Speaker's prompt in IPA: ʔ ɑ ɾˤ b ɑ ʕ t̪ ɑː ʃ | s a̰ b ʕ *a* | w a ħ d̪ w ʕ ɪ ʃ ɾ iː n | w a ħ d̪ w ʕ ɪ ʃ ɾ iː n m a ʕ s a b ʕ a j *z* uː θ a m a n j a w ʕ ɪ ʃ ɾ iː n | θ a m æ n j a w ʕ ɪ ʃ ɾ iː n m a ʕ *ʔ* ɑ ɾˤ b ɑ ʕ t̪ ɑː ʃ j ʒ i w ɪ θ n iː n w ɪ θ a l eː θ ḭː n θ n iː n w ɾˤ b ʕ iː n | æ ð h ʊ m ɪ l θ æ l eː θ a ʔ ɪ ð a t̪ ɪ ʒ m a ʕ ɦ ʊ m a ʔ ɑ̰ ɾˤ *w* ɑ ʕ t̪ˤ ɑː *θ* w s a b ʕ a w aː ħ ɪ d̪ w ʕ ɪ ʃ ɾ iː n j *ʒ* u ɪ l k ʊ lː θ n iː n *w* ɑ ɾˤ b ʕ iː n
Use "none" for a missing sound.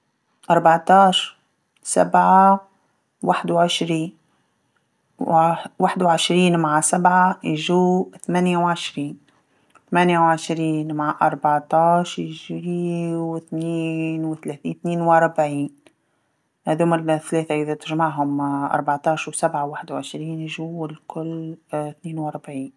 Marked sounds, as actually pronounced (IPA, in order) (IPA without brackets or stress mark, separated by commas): a, ʒ, ʔ, b, ʃ, ʒ, w